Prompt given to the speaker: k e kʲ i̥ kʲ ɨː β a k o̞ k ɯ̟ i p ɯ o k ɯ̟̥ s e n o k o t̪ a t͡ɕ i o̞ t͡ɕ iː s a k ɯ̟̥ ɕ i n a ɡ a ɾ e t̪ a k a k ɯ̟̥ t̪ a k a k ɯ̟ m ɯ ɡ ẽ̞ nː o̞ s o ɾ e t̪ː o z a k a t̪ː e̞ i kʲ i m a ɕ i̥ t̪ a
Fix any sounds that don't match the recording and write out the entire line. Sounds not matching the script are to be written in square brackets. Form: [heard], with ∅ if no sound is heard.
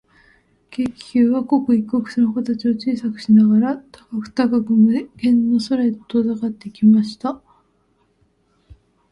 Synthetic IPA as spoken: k e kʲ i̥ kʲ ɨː β a k o̞ k ɯ̟ i [k] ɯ o k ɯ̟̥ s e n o k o t̪ a t͡ɕ i o̞ t͡ɕ iː s a k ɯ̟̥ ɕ i n a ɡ a ɾ [a] t̪ a k a k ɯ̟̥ t̪ a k a k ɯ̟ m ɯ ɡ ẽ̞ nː o̞ s o ɾ e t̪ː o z a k a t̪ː e̞ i kʲ i m a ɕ i̥ t̪ a

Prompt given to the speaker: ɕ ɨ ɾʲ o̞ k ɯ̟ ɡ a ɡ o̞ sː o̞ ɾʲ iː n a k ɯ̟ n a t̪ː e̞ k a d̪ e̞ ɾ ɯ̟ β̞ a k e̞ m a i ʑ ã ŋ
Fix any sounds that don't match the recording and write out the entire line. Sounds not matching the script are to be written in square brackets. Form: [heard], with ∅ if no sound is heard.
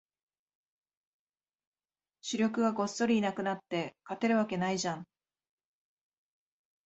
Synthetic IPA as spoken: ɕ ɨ ɾʲ o̞ k ɯ̟ ɡ a ɡ o̞ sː o̞ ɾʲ iː n a k ɯ̟ n a t̪ː e̞ k a [t̪] e̞ ɾ ɯ̟ β̞ a k e̞ [n] a i ʑ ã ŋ

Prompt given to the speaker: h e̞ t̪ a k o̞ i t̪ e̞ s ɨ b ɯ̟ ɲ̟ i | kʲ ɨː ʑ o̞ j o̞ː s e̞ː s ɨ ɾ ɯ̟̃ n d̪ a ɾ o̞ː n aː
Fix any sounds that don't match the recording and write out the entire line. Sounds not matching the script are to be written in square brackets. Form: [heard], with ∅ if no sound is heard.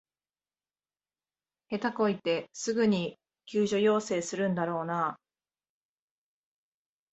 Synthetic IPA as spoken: h e̞ t̪ a k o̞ i t̪ e̞ s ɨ [ɡ] ɯ̟ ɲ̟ i | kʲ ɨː ʑ o̞ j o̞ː s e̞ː s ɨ ɾ ɯ̟̃ n d̪ a ɾ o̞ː n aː

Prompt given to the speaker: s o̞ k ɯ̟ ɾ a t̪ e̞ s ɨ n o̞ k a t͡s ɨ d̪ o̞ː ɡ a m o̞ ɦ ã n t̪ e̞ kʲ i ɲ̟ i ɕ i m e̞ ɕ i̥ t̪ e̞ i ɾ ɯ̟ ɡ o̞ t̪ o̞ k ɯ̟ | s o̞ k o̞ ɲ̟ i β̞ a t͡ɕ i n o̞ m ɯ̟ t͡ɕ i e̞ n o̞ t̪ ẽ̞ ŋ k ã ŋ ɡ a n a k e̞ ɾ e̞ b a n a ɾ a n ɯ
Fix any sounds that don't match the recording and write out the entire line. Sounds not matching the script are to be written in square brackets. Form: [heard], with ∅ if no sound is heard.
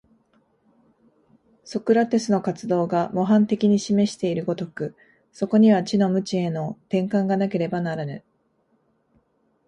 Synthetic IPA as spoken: s o̞ k ɯ̟ ɾ a t̪ e̞ s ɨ n o̞ k a t͡s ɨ d̪ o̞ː ɡ a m o̞ ɦ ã n t̪ e̞ kʲ i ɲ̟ i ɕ i m e̞ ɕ i̥ t̪ e̞ i ɾ ɯ̟ ɡ o̞ t̪ o̞ k ɯ̟ | s o̞ k o̞ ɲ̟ i β̞ a t͡ɕ i n o̞ m ɯ̟ t͡ɕ i e̞ n o̞ t̪ ẽ̞ ŋ k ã ŋ ɡ a n a k e̞ ɾ e̞ b a n a ɾ a n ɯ

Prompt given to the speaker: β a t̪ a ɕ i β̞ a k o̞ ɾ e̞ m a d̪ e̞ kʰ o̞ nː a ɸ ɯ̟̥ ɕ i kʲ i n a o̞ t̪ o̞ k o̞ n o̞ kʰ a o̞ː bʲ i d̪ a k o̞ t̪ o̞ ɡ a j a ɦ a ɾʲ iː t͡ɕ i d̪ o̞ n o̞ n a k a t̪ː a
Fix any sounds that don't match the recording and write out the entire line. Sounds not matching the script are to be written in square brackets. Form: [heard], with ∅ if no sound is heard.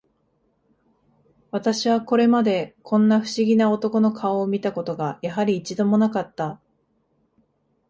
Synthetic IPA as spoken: β a t̪ a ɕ i β̞ a k o̞ ɾ e̞ m a d̪ e̞ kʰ [õ̞] nː a ɸ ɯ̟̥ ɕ i [ɡʲ] i n a o̞ t̪ o̞ k o̞ n o̞ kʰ a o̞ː [mʲ] i [t̪] a k o̞ t̪ o̞ ɡ a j a ɦ a ɾʲ iː t͡ɕ i d̪ o̞ [m] o̞ n a k a t̪ː a

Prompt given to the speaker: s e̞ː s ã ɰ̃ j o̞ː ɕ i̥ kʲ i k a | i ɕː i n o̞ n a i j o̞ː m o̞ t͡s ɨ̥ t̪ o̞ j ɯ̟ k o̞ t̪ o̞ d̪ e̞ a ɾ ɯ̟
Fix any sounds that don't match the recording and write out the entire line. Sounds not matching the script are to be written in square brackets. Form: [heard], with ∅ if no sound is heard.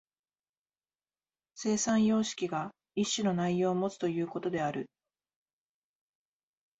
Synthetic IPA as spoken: s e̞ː s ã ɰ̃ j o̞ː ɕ i̥ kʲ i [ɡ] a | i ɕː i n o̞ n a i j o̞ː m o̞ t͡s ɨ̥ t̪ o̞ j [ɯ̟ː] k o̞ t̪ o̞ d̪ e̞ a ɾ ɯ̟

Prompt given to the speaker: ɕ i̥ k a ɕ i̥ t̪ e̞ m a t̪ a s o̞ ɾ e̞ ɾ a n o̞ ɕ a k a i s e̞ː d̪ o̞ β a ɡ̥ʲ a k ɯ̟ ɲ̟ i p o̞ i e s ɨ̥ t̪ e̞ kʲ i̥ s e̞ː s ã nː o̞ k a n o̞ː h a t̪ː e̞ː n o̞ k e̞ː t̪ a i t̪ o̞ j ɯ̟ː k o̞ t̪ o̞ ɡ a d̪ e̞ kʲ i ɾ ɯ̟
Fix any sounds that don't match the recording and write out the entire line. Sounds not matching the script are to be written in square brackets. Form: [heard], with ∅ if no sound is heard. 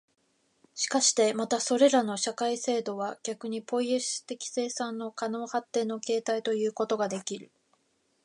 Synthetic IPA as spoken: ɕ i̥ k a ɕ i̥ t̪ e̞ m a t̪ a s o̞ ɾ e̞ ɾ a n o̞ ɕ a k a i s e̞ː d̪ o̞ β a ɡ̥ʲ a k ɯ̟ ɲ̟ i p o̞ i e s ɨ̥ t̪ e̞ kʲ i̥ s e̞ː s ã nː o̞ k a n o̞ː h a t̪ː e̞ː n o̞ k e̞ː t̪ a i t̪ o̞ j ɯ̟ː k o̞ t̪ o̞ ɡ a d̪ e̞ kʲ i ɾ ɯ̟

